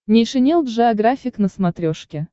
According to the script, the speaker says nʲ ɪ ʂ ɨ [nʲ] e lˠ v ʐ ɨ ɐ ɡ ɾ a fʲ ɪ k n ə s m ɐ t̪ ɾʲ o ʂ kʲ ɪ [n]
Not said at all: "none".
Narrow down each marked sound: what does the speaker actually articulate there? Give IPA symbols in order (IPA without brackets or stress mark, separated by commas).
nʲ, none